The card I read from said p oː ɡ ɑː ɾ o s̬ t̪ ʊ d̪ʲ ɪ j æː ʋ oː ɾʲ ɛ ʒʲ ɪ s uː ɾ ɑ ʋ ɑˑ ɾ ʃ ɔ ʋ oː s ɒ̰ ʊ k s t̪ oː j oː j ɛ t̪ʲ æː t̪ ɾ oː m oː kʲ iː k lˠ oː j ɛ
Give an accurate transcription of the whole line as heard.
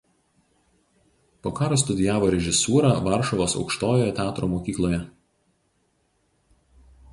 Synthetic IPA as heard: p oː k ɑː ɾ o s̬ t̪ ʊ d̪ʲ ɪ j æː ʋ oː ɾʲ ɛ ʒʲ ɪ s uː ɾ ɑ ʋ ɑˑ ɾ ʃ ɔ ʋ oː s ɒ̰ ʊ k ʃ t̪ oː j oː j ɛ t̪ʲ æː t̪ ɾ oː m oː kʲ iː k lˠ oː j ɛ